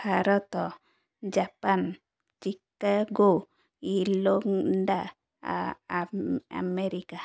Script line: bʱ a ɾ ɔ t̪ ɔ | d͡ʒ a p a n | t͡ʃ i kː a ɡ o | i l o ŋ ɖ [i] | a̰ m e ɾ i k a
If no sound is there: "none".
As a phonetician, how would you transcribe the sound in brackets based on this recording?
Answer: a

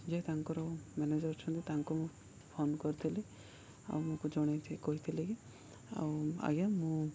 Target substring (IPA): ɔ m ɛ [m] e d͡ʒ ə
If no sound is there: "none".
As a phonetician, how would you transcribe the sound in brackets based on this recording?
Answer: n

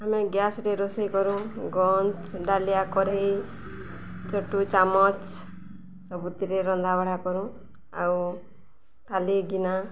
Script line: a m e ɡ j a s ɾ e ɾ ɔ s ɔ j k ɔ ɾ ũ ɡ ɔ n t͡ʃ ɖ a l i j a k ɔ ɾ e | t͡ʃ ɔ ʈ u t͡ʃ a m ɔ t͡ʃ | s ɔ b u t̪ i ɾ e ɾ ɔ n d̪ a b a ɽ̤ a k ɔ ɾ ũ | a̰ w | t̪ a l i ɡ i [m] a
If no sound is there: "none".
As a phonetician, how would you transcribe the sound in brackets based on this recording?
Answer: n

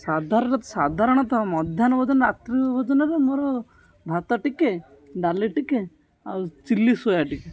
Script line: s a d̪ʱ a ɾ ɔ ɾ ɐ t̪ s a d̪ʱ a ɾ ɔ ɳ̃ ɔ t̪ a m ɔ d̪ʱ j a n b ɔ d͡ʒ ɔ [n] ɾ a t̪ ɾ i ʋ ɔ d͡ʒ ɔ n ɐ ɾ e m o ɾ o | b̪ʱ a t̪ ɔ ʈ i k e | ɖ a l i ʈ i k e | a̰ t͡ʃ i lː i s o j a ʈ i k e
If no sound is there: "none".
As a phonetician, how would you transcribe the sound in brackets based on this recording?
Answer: n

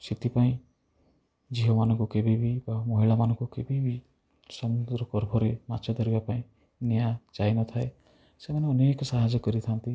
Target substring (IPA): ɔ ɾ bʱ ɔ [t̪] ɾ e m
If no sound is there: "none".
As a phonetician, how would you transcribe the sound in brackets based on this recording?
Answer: none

